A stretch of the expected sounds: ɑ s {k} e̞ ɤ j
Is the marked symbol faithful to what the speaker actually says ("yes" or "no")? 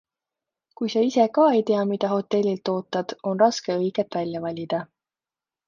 yes